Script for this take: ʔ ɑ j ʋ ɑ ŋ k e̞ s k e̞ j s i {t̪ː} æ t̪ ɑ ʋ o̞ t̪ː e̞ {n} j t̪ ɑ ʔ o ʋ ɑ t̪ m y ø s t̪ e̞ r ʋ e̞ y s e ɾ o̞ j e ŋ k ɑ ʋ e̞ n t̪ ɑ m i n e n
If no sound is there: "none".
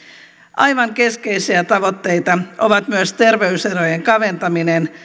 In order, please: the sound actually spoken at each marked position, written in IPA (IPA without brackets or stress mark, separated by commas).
none, none